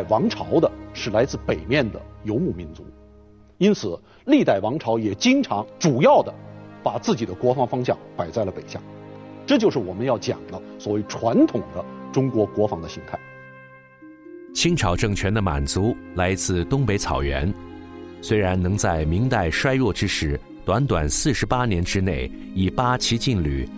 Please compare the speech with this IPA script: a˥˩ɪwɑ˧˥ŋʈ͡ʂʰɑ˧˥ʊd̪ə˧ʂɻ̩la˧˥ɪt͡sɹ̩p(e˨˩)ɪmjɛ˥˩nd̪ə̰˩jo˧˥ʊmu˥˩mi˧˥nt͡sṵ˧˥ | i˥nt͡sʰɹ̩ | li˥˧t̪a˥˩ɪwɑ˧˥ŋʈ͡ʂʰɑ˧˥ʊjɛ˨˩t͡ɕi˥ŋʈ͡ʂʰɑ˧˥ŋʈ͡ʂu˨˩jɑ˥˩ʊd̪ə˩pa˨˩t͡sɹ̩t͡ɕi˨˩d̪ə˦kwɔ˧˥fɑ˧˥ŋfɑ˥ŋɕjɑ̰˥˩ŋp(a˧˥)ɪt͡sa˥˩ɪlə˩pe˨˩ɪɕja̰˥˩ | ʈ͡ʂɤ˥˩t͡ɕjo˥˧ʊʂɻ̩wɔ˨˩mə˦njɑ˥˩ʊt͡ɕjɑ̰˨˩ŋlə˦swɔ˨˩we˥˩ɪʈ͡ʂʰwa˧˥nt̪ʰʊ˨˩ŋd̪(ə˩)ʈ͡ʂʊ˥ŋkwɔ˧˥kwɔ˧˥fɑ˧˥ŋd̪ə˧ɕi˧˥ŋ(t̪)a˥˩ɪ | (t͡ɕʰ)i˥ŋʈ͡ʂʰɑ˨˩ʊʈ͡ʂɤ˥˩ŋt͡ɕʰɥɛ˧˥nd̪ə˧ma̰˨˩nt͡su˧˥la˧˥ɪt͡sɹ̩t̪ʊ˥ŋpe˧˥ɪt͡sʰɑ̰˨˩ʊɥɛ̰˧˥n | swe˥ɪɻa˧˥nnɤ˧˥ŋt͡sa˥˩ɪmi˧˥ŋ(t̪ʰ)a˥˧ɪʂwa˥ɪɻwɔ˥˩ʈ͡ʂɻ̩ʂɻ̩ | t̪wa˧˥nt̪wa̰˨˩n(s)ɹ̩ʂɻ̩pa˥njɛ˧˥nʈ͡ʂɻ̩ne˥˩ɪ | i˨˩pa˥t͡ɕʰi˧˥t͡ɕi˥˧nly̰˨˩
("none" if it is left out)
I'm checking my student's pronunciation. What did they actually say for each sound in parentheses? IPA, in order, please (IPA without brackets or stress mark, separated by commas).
e˨˩, a˨˩, ə˦, t̪ʰ, t͡ɕʰ, t̪, s